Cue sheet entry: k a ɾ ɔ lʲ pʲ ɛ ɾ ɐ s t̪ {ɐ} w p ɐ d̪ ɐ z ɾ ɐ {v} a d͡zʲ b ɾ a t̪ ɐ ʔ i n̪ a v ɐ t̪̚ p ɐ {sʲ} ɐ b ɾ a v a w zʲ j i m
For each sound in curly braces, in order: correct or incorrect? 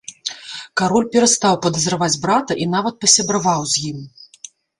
incorrect, correct, correct

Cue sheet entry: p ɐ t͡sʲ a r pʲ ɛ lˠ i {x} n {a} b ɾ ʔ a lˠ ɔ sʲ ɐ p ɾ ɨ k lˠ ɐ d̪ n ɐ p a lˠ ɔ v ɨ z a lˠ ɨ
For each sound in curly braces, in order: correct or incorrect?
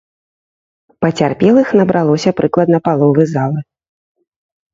correct, incorrect

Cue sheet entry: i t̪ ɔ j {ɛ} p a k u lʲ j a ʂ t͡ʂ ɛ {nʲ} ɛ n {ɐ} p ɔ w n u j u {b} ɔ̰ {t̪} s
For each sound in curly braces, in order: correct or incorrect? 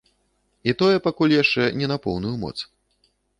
correct, correct, incorrect, incorrect, correct

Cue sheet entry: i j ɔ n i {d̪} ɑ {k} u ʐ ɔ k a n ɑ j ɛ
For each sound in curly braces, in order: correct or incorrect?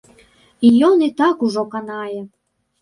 incorrect, correct

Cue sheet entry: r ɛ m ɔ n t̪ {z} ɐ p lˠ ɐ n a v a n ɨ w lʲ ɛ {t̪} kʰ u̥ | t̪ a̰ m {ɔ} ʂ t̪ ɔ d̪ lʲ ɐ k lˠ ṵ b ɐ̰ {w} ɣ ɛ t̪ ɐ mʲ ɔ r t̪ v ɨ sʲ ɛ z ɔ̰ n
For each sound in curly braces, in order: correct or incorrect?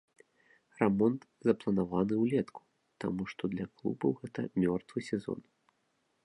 correct, correct, incorrect, correct

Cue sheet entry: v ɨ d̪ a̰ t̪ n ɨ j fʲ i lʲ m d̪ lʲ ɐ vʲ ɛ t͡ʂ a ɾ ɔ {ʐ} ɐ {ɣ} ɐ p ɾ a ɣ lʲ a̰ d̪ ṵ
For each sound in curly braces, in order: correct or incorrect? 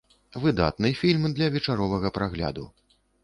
incorrect, correct

